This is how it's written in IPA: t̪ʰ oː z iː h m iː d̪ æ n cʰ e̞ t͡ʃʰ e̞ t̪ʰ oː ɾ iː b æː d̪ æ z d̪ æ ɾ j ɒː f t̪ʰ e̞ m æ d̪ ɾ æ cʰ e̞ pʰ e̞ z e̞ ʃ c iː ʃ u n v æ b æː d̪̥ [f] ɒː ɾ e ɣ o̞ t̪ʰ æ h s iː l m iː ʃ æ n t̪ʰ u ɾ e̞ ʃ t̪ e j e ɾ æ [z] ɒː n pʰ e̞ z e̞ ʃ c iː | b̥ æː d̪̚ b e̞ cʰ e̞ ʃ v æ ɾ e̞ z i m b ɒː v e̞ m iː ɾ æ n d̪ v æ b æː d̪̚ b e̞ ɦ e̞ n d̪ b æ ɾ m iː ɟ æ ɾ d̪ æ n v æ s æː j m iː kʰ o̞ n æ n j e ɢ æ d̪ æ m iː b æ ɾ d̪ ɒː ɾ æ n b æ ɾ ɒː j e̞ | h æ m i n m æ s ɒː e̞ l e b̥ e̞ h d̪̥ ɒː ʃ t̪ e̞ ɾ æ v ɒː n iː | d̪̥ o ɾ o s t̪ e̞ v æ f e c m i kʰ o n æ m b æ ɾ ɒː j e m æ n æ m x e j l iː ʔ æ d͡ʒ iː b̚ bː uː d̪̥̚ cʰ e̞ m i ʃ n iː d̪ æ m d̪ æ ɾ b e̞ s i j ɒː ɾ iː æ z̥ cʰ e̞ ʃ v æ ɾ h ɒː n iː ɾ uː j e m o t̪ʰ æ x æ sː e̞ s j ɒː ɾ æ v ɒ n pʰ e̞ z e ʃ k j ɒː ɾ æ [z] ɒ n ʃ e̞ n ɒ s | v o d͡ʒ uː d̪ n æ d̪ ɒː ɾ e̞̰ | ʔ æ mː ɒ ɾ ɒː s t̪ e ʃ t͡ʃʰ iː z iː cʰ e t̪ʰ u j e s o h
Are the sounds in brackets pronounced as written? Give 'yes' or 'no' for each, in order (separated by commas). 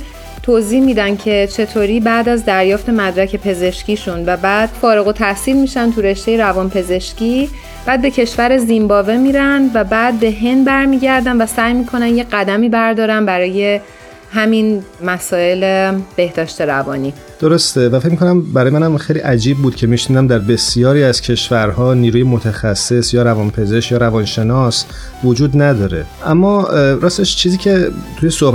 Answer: yes, no, no